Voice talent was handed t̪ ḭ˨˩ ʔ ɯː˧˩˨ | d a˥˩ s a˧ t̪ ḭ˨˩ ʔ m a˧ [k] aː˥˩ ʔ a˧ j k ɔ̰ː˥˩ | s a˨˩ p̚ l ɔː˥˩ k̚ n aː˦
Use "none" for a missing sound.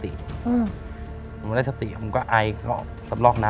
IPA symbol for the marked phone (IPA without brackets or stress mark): k